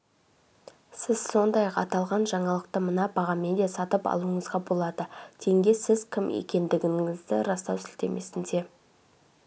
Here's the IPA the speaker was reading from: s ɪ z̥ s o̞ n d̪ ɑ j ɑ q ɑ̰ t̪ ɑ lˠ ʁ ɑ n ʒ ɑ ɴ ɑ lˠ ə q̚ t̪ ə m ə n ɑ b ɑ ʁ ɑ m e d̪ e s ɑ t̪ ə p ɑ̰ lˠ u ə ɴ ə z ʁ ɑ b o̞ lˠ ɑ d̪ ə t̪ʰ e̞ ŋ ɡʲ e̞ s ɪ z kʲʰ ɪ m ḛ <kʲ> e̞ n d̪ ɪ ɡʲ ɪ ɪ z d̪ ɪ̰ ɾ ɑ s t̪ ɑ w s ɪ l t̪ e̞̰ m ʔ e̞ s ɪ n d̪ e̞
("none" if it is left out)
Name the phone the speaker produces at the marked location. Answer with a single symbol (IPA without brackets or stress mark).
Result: kʲ